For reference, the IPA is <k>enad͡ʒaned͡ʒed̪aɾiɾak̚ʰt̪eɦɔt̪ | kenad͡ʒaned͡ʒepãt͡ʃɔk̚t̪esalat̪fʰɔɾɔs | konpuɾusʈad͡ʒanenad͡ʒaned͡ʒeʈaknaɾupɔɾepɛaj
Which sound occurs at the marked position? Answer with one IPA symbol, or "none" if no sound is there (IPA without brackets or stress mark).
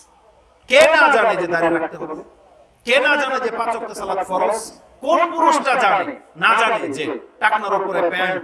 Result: k